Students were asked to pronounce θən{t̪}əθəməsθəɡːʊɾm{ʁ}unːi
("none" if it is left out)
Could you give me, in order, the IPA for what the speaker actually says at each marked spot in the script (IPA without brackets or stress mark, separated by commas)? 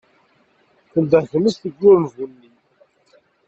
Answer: d̪, v